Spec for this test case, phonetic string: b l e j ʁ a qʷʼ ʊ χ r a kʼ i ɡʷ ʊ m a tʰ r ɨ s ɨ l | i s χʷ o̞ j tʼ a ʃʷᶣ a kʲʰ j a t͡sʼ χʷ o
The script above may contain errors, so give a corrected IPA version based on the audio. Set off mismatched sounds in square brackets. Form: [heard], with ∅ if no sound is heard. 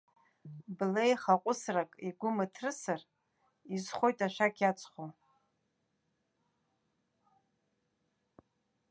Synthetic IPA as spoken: b l e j [χ] a qʷʼ ʊ [s] r a kʼ i ɡʷ ʊ m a tʰ r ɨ s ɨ [r] | i [z] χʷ o̞ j tʼ a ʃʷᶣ a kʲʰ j a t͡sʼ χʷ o